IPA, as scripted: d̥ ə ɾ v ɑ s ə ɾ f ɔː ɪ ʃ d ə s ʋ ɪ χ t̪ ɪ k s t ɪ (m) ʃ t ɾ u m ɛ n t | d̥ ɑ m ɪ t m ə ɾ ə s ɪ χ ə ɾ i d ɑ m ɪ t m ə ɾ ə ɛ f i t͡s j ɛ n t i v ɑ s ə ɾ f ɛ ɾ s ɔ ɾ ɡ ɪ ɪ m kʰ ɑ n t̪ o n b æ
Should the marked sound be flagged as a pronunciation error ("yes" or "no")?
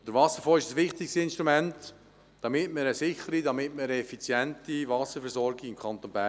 yes